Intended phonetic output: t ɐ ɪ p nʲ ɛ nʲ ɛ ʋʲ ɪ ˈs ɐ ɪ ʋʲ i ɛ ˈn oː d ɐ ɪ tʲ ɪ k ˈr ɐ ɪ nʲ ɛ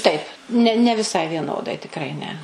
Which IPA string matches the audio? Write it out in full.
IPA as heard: t ɐ ɪ p nʲ ɛ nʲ ɛ ʋʲ ɪ ˈs ɐ ɪ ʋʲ i ɛ ˈn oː d ɐ ɪ tʲ ɪ k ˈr ɐ ɪ nʲ ɛ